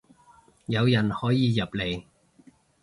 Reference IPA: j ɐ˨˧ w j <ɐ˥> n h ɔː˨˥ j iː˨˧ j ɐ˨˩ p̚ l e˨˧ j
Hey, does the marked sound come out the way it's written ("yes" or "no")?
no